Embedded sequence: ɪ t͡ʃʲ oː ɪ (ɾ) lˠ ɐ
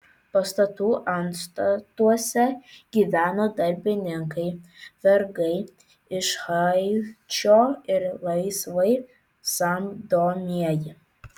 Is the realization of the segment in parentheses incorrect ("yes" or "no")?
no